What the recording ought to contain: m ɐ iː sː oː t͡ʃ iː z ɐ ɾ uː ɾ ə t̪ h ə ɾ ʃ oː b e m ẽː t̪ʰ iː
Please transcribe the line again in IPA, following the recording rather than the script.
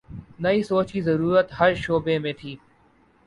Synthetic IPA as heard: n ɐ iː s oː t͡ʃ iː z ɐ ɾ uː ɾ ə t̪ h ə ɾ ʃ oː b e m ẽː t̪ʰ iː